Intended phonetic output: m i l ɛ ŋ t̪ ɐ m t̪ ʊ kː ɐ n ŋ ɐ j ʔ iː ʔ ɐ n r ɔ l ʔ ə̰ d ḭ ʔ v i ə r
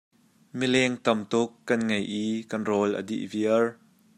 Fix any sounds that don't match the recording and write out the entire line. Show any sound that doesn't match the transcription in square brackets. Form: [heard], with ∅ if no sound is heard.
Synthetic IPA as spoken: m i l ɛ ŋ t̪ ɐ m t̪ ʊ kː ɐ n ŋ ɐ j ʔ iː [k] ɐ n r ɔ l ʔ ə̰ d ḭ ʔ v i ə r